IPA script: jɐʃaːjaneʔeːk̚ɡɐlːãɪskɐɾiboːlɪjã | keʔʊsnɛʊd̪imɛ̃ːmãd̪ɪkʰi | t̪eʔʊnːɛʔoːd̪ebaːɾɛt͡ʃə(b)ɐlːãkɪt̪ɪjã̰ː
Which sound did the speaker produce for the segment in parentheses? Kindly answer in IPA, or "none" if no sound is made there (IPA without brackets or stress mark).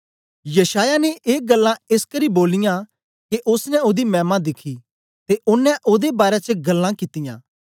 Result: ɡ